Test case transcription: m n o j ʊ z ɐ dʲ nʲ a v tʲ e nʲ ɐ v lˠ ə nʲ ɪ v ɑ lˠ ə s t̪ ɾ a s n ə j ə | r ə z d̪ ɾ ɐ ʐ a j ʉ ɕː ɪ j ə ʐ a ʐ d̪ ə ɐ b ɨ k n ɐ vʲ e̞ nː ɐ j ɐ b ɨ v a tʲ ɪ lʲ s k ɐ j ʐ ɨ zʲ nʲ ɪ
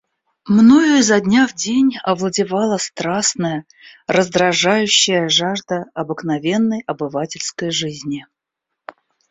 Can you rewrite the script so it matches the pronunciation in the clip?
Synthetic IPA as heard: m n o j ʊ z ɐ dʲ nʲ a v dʲ e nʲ ɐ v lˠ ə dʲ ɪ v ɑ lˠ ə s t̪ ɾ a s n ə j ə | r ə z d̪ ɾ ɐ ʐ a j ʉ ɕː ɪ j ə ʐ a ʐ d̪ ə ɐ b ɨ k n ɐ vʲ e̞ nː ə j ɐ b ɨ v a tʲ ɪ lʲ s k ə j ʐ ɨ zʲ nʲ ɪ